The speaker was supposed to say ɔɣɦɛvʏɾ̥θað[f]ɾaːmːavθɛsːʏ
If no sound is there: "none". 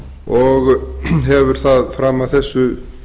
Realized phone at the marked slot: f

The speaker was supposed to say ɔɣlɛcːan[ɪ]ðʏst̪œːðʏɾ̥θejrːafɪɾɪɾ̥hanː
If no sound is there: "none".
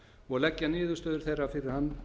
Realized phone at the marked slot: ɪː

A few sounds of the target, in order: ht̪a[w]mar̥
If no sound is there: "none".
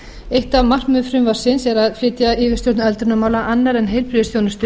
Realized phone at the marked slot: v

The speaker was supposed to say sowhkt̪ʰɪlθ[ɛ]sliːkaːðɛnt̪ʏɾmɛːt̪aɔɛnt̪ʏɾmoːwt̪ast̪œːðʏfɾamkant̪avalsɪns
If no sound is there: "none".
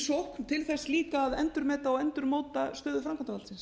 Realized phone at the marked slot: ɛ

